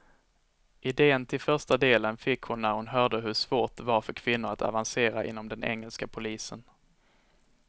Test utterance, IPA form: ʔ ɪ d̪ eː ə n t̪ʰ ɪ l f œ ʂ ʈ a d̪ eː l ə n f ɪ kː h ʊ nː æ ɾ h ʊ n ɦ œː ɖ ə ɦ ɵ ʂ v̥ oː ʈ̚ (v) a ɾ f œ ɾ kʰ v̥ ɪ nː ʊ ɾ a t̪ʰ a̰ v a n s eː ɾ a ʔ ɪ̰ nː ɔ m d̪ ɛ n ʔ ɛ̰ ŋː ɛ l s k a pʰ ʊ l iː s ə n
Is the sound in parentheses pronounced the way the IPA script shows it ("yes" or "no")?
yes